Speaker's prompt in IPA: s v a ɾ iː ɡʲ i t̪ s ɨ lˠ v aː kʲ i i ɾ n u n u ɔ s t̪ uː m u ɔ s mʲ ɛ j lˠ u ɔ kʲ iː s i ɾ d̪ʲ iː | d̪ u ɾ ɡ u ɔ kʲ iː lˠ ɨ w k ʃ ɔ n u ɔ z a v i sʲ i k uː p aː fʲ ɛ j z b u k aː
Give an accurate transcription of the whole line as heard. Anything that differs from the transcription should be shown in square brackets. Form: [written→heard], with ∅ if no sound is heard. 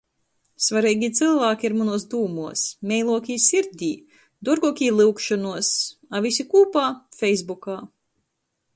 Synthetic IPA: s v a ɾ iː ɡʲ i t̪ s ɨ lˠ v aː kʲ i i ɾ [n→m] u n u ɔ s [t̪→d̪] uː m u ɔ s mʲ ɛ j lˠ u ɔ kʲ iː s i ɾ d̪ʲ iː | d̪ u ɾ ɡ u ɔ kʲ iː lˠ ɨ w k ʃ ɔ n u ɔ [z→s] a v i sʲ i k uː p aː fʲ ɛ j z b u k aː